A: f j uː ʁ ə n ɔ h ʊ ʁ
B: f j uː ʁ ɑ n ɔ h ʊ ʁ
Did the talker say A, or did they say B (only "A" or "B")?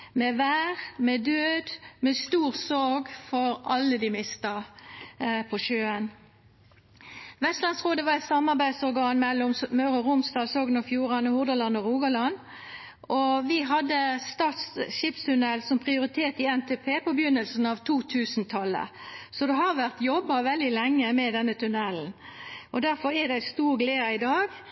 B